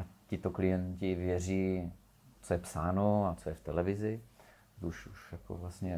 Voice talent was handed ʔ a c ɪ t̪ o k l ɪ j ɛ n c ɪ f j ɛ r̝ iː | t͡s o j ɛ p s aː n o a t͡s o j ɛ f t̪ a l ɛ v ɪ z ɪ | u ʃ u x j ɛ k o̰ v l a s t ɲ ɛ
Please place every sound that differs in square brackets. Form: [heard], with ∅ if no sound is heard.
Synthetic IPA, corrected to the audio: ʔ a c ɪ t̪ o k l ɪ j ɛ n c ɪ [v] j ɛ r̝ iː | t͡s o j ɛ p s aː n o a t͡s o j ɛ f t̪ [ɛ] l ɛ v ɪ z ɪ | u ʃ u [ʃ] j [a] k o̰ v l a s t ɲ ɛ